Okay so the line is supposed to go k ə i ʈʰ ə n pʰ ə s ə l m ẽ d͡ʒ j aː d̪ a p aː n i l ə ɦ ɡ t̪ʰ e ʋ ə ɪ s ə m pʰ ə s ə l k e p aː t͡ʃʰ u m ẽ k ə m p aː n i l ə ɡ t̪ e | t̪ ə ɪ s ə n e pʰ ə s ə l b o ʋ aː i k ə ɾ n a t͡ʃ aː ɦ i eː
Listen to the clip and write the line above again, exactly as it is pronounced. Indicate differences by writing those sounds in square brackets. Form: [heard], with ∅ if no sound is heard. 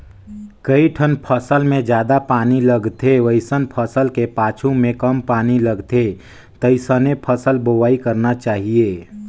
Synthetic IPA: k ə i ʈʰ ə n pʰ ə s ə l m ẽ d͡ʒ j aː d̪ a p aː n i l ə [∅] ɡ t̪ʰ e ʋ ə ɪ s ə [n] pʰ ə s ə l k e p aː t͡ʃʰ u m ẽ k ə m p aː n i l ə ɡ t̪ e | t̪ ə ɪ s ə n e pʰ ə s ə l b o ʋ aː i k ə ɾ n a t͡ʃ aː ɦ i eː